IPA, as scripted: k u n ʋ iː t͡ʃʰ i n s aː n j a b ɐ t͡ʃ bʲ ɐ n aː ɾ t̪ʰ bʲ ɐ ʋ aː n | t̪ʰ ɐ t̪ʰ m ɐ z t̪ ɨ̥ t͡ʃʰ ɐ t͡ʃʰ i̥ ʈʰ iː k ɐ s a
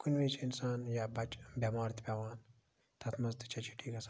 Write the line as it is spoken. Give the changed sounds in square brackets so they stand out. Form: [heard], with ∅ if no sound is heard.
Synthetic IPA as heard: k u n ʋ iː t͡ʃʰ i n s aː n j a b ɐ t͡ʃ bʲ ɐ [m] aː ɾ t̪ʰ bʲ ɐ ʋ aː n | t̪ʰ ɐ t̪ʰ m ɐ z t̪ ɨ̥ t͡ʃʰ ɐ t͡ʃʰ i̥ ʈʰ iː k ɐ s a